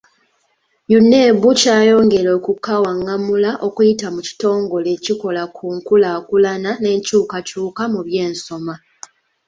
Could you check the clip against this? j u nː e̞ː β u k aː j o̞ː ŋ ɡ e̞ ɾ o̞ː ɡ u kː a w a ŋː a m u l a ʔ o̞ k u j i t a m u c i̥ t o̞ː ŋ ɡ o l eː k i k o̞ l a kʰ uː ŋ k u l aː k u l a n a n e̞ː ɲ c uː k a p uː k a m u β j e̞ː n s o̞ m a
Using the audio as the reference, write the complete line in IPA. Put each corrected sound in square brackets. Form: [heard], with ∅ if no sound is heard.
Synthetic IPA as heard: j u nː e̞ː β u [c] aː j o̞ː ŋ ɡ e̞ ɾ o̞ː [k] u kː a w a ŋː a m u l a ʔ o̞ k u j i t a m u c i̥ t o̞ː ŋ ɡ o l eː [c] i k o̞ l a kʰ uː ŋ k u l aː k u l a n a n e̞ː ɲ c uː k a [c] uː k a m u β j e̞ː n s o̞ m a

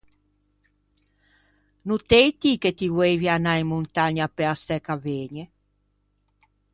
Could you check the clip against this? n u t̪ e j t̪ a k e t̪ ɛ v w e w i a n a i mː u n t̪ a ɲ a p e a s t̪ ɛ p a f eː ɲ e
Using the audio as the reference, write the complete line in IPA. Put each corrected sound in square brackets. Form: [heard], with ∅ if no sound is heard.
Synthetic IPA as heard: n u t̪ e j t̪ [i] k e t̪ [i] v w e [v] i a n a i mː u n t̪ a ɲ a p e a s t̪ ɛ [k] a [v] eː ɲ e

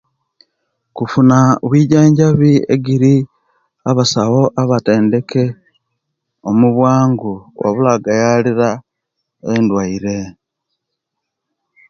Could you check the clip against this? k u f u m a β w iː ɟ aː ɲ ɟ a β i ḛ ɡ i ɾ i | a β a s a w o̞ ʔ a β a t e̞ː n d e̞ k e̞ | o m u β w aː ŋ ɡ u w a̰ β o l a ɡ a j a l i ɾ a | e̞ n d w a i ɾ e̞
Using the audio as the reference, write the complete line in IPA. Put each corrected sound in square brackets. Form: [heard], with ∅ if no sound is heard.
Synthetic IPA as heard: k u f u [n] a β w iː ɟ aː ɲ ɟ a β i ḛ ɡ i ɾ i | a β a s a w o̞ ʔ a β a t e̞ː n d e̞ k e̞ | o m u β w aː ŋ ɡ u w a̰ β [u] l a ɡ a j a l i ɾ a | e̞ n d w a i ɾ e̞

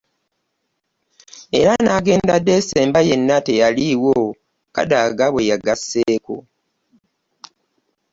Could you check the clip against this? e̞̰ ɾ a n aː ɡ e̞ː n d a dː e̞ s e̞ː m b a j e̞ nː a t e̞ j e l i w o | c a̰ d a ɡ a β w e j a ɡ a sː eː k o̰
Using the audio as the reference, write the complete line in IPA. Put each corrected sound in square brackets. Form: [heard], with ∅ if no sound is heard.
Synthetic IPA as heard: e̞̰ ɾ a n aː ɡ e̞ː n d a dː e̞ s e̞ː m b a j e̞ nː a t e̞ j [a] l i w o | [k] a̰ d a ɡ a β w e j a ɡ a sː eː k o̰

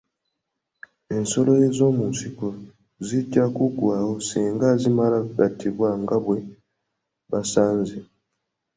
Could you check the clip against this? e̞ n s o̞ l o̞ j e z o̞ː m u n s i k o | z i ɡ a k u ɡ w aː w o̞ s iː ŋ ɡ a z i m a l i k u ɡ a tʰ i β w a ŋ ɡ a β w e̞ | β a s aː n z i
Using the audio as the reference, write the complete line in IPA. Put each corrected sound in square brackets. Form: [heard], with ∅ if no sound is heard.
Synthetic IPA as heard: e̞ n s o̞ l o̞ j e z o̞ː m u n s i k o | z i [ɟ] a k u ɡ w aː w o̞ s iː ŋ ɡ a z i m a l [a] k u ɡ a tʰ i β w a ŋ ɡ a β w e̞ | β a s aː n z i

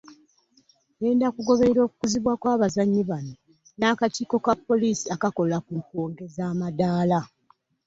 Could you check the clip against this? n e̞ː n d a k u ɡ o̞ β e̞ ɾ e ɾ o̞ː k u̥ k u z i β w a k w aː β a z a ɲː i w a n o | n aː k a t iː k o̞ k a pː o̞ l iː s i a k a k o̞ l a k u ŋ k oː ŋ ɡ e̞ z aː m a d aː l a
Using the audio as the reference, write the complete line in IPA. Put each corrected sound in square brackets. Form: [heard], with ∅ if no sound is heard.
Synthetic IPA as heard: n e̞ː n d a k u ɡ o̞ β e̞ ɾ e ɾ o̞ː k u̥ k u z i β w a k w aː β a z a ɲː i [β] a n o | n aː k a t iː k o̞ k a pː o̞ l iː s i a k a k o̞ l a k u ŋ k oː ŋ ɡ e̞ z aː m a d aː l a

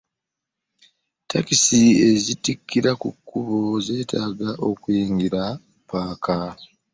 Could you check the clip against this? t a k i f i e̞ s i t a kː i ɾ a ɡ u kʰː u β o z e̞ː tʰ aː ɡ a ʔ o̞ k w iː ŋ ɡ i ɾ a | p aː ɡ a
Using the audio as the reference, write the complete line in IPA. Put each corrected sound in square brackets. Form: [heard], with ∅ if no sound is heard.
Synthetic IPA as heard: t a k i [s] i e̞ [z] i t [i] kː i ɾ a [k] u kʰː u β o z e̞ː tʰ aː ɡ a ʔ o̞ k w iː ŋ ɡ i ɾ a | p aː [k] a

